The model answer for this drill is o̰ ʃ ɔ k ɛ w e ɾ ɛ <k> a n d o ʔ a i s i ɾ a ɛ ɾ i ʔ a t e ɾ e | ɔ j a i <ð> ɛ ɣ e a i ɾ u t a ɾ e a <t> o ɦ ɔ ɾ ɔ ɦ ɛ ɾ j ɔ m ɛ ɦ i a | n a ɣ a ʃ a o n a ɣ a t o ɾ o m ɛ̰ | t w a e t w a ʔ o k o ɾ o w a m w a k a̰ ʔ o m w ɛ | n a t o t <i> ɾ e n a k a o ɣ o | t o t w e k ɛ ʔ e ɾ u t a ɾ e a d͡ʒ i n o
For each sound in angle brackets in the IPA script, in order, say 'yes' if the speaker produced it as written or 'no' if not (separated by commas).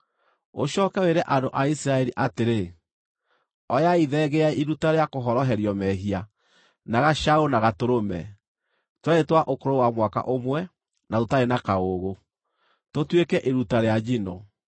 no, yes, no, no